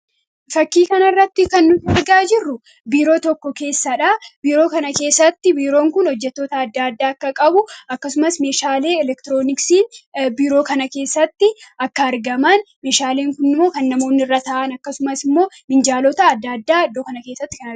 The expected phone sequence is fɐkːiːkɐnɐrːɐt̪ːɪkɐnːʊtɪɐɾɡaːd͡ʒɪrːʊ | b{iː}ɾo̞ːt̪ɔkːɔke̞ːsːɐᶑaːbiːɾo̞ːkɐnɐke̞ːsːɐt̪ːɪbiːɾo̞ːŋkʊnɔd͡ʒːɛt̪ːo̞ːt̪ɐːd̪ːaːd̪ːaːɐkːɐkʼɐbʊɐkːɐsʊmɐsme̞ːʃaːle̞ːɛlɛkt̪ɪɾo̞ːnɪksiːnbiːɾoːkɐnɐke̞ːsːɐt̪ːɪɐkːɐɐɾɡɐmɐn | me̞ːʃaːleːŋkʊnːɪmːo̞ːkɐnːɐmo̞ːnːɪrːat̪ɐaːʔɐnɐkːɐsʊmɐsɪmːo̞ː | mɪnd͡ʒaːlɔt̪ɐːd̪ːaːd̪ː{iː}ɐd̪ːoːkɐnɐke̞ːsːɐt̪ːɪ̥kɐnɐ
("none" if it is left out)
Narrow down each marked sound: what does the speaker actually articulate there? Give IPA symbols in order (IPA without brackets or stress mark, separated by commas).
iː, aː